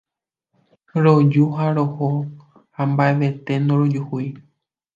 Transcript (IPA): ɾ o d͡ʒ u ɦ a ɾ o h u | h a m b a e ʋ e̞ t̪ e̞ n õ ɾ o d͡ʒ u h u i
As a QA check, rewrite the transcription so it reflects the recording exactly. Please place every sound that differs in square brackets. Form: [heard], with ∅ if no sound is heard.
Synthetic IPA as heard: ɾ o d͡ʒ u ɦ a ɾ o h [o] | h a m b a e ʋ e̞ t̪ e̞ n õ ɾ o d͡ʒ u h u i